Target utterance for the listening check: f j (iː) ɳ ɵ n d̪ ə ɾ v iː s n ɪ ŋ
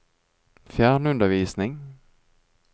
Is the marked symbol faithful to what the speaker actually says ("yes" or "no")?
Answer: no